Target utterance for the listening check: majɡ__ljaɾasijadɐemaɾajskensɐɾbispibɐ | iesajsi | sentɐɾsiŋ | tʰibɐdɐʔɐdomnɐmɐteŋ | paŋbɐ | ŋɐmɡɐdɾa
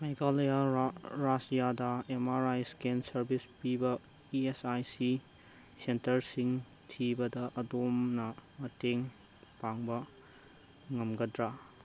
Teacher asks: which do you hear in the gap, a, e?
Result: a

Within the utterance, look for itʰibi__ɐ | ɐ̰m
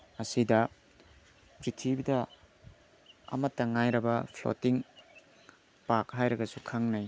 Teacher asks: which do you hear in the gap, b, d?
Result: d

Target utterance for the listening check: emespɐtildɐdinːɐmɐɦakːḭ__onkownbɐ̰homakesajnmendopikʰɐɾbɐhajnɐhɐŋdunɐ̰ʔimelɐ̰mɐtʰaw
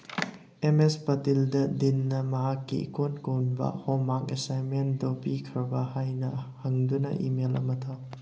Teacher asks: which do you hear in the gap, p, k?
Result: k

